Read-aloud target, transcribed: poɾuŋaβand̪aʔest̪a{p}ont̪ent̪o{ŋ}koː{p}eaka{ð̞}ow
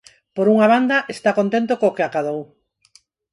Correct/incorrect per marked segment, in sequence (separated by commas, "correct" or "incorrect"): incorrect, incorrect, incorrect, correct